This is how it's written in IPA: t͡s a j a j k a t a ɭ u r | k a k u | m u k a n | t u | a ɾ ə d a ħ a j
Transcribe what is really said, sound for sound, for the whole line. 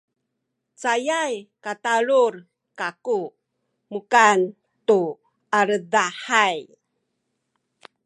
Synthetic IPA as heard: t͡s a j a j k a t a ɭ u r | k a k u | m u k a n | t u | a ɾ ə d a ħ a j